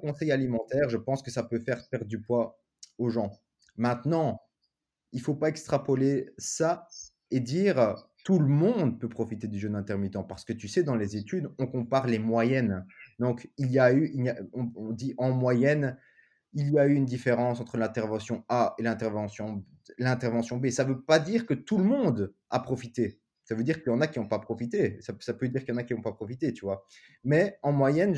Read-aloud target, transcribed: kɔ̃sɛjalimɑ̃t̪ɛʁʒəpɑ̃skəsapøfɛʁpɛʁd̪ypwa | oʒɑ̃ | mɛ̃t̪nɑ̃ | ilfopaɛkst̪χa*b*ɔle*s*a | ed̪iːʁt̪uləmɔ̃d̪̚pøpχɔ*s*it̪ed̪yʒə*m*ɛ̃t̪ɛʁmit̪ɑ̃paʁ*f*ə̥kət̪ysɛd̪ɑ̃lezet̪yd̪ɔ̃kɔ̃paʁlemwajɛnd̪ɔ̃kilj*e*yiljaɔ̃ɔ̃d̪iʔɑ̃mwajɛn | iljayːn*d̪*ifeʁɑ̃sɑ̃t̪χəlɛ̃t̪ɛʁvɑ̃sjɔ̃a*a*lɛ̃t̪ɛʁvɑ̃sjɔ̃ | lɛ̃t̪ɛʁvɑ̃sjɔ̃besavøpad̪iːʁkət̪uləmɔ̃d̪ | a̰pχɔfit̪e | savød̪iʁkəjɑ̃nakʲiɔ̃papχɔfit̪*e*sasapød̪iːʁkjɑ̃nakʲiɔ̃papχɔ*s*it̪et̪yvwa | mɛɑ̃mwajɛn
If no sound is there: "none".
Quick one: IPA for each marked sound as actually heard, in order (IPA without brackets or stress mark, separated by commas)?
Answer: p, s, f, n, s, a, d̪, e, e, f